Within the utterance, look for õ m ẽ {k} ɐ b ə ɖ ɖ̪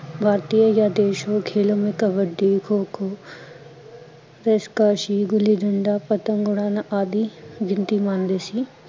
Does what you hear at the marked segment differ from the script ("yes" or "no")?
no